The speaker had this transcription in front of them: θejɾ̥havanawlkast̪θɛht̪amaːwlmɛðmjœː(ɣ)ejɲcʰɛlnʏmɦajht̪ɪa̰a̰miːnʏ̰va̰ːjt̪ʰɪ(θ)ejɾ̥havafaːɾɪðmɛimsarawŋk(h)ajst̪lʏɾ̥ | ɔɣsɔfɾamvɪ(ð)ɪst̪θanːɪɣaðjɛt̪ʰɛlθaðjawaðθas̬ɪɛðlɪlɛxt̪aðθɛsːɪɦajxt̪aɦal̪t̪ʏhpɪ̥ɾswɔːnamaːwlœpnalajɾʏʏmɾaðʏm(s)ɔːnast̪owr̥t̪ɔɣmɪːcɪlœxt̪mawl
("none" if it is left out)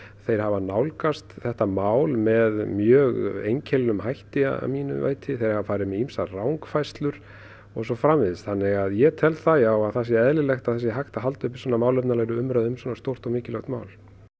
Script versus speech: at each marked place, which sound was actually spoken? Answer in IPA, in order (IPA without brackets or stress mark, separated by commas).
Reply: ɣ, θ, f, ð, s